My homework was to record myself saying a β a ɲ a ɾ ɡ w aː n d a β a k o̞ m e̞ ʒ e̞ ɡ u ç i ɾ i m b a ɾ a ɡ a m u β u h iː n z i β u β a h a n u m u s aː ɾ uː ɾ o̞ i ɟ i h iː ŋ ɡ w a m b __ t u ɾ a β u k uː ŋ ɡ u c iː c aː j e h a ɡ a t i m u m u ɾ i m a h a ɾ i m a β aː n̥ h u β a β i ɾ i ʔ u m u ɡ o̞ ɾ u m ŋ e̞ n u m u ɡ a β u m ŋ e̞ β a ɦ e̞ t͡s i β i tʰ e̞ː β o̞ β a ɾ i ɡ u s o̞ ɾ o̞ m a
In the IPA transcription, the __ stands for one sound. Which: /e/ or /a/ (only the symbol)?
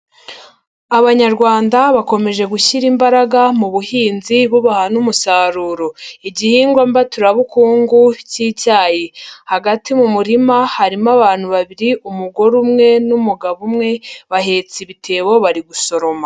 a